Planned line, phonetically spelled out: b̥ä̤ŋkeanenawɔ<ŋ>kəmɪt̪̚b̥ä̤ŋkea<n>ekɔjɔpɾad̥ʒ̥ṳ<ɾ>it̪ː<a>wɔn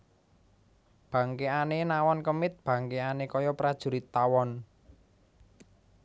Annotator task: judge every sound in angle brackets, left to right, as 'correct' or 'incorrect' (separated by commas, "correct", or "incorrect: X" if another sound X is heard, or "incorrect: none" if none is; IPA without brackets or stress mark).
incorrect: n, correct, correct, correct